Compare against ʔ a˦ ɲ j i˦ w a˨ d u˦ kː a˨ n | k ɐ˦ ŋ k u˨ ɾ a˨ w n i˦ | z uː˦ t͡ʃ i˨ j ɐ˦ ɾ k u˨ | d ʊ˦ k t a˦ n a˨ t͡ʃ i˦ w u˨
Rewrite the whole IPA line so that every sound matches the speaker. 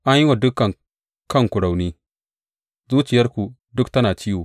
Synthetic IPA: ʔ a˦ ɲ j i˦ w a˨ d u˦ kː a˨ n | k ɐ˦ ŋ k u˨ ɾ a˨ w n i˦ | z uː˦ t͡ʃ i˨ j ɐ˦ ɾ k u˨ | d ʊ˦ k t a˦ n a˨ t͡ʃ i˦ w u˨